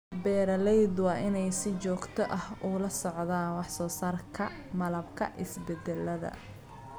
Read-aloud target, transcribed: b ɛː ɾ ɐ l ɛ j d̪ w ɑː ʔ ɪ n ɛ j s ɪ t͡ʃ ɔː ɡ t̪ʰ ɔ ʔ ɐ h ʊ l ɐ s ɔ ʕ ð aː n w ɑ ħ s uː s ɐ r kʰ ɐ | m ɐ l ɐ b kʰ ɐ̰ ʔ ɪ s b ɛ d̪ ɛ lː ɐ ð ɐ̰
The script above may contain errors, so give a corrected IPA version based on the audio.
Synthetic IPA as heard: b ɛː ɾ ɐ l ɛ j d̪ w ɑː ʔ ɪ n ɛ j s ɪ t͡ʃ ɔː ɡ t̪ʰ ɔ ʔ ɐ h ʊ l ɐ s ɔ ʕ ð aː n w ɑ ħ s ɔː s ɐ r kʰ ɐ | m ɐ l ɐ b kʰ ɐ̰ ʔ ɪ s b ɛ d̪ ɛ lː ɐ ð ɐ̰